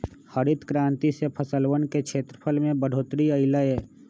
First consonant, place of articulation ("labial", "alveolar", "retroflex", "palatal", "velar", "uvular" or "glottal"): glottal